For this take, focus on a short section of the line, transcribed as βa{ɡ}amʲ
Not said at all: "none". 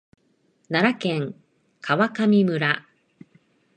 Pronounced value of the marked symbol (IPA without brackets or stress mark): k